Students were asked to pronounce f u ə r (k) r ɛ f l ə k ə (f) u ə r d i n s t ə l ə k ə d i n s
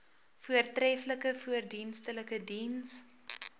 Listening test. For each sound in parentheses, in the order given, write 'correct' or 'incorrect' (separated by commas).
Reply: incorrect, correct